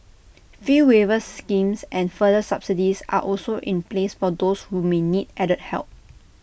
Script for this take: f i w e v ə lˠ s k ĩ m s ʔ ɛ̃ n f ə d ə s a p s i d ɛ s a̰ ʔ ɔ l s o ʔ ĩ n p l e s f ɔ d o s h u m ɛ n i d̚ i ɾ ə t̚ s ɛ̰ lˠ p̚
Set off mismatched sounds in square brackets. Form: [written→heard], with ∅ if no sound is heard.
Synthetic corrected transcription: f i w e v ə [lˠ→∅] s k ĩ m s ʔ ɛ̃ n f ə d ə s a p s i d [ɛ→i] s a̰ ʔ ɔ l s o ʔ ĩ n p l e s f ɔ d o s h u m [ɛ→e] n i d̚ [i→ɛ] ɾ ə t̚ [s→h] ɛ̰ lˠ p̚

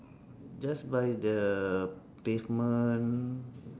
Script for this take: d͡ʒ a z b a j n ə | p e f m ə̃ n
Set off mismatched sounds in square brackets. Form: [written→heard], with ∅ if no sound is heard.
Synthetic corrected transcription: d͡ʒ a [z→s] b a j [n→d] ə | p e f m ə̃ n

